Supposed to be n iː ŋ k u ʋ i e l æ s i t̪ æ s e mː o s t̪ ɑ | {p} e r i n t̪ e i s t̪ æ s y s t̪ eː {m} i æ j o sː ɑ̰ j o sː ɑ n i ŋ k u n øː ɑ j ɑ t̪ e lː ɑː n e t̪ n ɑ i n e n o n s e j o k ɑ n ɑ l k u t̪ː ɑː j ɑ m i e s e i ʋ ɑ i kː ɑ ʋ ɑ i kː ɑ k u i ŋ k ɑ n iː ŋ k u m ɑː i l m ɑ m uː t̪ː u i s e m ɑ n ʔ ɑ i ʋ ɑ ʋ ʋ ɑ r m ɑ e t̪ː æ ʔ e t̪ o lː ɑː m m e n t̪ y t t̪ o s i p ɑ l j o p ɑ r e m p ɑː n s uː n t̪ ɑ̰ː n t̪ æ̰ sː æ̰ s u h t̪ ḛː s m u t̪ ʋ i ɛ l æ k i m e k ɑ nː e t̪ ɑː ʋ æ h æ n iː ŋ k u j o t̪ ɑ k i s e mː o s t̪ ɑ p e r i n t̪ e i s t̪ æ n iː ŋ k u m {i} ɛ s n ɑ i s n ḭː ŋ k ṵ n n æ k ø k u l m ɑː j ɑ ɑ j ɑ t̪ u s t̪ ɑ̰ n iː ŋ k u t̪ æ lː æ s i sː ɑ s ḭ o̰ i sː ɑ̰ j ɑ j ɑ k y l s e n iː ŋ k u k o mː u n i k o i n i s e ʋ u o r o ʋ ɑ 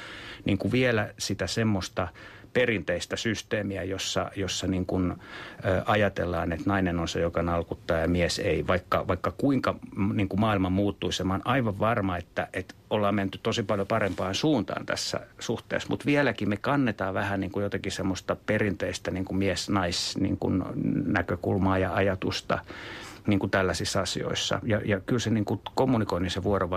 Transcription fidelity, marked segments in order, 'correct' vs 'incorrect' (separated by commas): correct, correct, correct